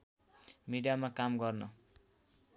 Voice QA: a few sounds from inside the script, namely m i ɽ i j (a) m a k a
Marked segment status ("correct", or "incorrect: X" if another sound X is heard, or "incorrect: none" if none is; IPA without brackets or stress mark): correct